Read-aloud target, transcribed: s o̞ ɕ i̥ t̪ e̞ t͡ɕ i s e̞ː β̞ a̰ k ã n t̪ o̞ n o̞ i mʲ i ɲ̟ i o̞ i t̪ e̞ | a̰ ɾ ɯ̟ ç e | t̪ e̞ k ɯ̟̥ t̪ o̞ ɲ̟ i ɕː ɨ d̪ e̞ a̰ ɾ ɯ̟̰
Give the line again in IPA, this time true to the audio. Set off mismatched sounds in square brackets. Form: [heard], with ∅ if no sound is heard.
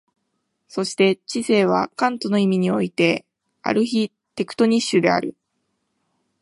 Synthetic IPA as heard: s o̞ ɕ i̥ t̪ e̞ t͡ɕ i s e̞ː β̞ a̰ k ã n t̪ o̞ n o̞ i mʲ i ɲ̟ i o̞ i t̪ e̞ | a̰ ɾ ɯ̟ ç [i] | t̪ e̞ k ɯ̟̥ t̪ o̞ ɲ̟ i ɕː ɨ d̪ e̞ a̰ ɾ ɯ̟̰